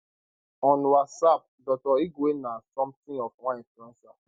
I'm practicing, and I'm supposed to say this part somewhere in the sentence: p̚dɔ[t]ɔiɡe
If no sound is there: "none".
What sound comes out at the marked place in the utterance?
t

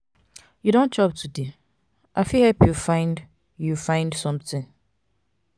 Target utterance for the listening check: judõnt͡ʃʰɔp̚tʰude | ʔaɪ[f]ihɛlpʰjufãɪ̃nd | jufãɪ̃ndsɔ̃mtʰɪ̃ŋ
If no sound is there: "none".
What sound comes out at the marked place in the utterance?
f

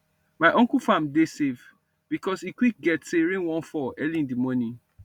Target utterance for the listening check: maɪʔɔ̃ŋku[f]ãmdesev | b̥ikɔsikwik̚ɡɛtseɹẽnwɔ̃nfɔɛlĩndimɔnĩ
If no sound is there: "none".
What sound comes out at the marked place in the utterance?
f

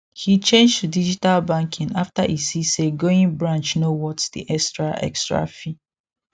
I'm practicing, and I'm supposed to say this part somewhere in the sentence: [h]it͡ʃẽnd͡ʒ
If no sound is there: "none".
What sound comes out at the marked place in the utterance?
h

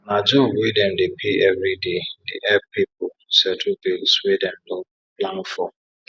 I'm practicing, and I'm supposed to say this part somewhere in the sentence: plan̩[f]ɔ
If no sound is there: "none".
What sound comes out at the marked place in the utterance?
f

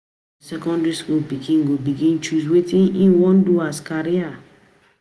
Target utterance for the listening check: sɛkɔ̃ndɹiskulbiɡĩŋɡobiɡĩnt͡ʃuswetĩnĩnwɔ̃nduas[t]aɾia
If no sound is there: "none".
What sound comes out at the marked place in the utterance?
k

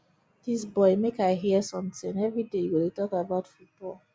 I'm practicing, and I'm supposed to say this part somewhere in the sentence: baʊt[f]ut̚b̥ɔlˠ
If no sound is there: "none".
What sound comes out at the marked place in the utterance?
f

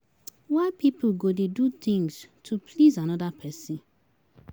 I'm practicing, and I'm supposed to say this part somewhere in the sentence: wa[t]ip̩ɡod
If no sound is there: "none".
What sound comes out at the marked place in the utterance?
p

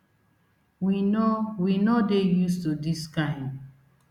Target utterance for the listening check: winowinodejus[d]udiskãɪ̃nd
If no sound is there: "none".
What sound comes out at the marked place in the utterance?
t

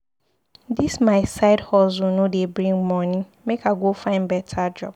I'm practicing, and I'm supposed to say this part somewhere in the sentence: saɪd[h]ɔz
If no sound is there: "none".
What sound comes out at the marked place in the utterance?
h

